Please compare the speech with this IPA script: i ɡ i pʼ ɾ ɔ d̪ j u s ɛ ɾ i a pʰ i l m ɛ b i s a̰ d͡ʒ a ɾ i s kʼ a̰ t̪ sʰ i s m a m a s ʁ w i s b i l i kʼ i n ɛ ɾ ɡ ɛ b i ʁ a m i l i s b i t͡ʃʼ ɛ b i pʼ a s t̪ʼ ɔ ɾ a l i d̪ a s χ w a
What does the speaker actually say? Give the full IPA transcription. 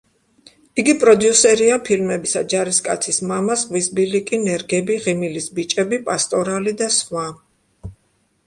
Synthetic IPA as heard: i ɡ i pʼ ɾ ɔ d̪ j u s ɛ ɾ i a pʰ i l m ɛ b i s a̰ d͡ʒ a ɾ i s kʼ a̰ t̪ sʰ i s m a m a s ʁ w i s b i l i kʼ i n ɛ ɾ ɡ ɛ b i ʁ i m i l i s b i t͡ʃʼ ɛ b i pʼ a s t̪ʼ ɔ ɾ a l i d̪ a s χ w a